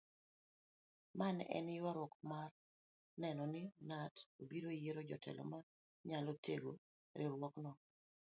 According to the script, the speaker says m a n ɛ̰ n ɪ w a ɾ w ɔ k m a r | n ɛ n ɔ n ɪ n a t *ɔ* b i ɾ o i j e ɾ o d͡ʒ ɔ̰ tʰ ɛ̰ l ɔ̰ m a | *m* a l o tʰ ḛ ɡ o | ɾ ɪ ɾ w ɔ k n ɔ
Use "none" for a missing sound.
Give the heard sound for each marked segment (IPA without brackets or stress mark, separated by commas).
o, ɲ